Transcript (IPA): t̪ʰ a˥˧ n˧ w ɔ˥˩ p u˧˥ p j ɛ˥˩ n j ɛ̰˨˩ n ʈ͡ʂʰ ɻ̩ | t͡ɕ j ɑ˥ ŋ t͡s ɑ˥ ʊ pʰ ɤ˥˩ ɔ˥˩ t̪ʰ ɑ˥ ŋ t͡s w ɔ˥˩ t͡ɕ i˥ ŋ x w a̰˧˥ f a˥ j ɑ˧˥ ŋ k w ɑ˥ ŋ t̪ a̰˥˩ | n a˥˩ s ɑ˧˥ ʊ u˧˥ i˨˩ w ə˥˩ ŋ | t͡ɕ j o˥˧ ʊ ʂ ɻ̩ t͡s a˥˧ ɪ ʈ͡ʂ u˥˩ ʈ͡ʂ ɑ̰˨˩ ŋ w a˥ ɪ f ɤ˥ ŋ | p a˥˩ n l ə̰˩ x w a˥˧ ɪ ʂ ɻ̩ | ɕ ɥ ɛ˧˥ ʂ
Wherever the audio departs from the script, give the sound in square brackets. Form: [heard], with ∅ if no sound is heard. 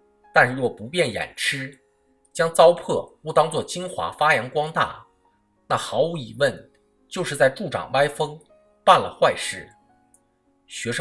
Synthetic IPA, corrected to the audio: [t̪] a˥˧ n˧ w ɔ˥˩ p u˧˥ p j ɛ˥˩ n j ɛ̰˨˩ n ʈ͡ʂʰ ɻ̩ | t͡ɕ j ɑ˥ ŋ t͡s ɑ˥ ʊ pʰ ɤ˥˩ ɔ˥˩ [t̪] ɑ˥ ŋ t͡s w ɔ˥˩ t͡ɕ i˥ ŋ x w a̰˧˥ f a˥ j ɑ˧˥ ŋ k w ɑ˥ ŋ t̪ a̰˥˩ | n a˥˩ [x] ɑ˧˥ ʊ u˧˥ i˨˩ w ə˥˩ [n] | t͡ɕ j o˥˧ ʊ ʂ ɻ̩ t͡s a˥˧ ɪ ʈ͡ʂ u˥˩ ʈ͡ʂ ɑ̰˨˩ ŋ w a˥ ɪ f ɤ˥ ŋ | p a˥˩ n l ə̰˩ x w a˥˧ ɪ ʂ ɻ̩ | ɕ ɥ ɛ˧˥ ʂ